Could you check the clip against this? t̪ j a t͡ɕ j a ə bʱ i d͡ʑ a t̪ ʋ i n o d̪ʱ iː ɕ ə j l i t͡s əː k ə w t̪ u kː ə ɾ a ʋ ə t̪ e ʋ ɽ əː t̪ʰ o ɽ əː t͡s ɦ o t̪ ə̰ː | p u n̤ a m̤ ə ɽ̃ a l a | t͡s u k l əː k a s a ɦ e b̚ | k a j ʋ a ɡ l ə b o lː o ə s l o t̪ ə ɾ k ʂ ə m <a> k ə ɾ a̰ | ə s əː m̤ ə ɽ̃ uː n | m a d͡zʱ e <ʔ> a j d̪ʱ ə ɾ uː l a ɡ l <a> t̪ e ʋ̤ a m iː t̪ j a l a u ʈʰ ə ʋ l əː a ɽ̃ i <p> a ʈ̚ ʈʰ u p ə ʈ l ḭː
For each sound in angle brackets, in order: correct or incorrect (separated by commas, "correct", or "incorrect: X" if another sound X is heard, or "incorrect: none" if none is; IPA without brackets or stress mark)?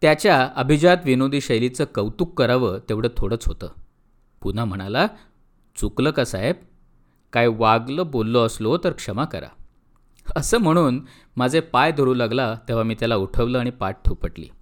correct, incorrect: p, correct, correct